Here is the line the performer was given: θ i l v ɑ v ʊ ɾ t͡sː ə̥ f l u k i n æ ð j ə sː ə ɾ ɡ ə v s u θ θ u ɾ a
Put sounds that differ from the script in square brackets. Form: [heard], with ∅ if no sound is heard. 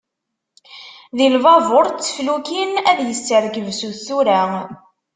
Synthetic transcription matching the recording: [ð] i l v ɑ v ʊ ɾ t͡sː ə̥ f l u k i n æ ð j ə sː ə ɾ ɡ ə v s u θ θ u ɾ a

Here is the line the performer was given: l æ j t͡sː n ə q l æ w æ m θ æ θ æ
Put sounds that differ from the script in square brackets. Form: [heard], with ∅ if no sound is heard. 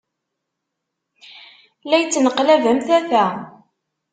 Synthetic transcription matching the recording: l æ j t͡sː n ə q l æ [v] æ m θ æ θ æ

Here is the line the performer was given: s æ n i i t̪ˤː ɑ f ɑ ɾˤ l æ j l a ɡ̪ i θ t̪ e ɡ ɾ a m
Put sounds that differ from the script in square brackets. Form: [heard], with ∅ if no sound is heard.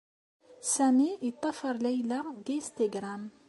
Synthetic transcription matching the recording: s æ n i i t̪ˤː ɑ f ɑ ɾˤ l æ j l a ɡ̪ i [s] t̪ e ɡ ɾ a m

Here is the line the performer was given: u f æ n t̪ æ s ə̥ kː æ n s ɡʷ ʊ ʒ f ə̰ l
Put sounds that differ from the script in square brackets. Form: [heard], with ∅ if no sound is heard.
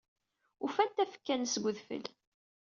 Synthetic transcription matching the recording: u f æ n t̪ æ [f] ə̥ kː æ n s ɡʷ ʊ [ð] f ə̰ l

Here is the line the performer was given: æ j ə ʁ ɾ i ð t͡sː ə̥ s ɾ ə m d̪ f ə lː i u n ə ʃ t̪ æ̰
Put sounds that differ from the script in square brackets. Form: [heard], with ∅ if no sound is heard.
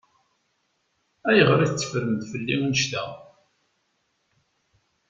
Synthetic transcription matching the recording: æ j ə ʁ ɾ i [θ] t͡sː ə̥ [f] ɾ ə m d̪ f ə lː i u n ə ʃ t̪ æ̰

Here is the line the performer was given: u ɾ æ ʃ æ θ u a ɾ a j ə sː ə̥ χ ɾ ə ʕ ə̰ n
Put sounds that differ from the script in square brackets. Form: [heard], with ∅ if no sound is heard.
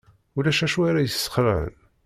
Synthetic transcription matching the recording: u [l] æ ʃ æ [ʃ] u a ɾ a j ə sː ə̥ χ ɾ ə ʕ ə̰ n

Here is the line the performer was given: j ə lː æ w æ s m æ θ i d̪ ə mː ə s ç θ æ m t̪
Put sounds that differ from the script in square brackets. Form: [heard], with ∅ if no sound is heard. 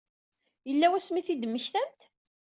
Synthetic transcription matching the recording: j ə lː æ w æ s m [i] θ i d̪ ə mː ə [∅] ç θ æ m t̪

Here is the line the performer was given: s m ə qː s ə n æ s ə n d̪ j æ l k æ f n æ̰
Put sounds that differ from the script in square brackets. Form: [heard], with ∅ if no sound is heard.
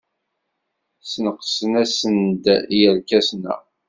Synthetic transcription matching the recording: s [n] ə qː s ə n æ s ə n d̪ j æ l k æ [s] n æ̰

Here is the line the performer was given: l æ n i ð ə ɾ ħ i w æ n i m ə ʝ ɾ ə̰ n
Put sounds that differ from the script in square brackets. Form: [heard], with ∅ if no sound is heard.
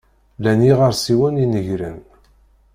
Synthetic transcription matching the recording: l æ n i [ʁ] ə ɾ [s] i w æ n i [n] ə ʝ ɾ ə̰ n

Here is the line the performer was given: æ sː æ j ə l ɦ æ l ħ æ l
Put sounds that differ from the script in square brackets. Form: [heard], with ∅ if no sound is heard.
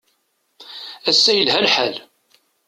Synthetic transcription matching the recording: æ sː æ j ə l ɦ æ l ħ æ l

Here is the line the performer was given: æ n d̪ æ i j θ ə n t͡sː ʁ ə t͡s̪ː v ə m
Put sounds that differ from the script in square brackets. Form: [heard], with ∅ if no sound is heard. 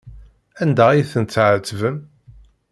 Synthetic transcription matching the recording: æ n d̪ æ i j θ ə n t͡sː [ʕ] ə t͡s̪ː v ə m

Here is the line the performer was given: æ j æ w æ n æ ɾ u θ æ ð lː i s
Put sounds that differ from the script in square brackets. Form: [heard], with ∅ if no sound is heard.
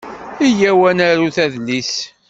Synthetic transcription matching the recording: [i] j æ w æ n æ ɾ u θ æ ð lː i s

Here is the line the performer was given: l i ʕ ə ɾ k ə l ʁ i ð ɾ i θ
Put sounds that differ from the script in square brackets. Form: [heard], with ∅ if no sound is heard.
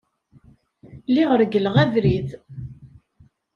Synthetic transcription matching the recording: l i [ʁ] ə ɾ [ɡ] ə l ʁ [æ] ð ɾ i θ

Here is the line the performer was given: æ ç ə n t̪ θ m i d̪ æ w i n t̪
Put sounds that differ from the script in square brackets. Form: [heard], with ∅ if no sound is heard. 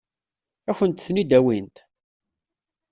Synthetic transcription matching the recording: æ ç ə n t̪ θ [n] i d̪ æ w i n t̪

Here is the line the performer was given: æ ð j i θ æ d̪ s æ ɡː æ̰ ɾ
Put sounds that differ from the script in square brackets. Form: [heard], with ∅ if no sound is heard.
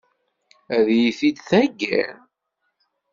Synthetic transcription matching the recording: æ ð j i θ [i] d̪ [θ] æ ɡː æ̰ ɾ

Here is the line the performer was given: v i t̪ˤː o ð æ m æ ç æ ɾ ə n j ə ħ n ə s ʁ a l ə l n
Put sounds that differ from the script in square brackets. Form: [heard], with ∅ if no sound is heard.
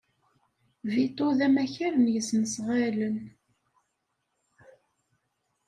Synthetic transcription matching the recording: v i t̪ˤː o ð æ m æ ç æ ɾ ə n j ə [s] n ə s ʁ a l ə [∅] n

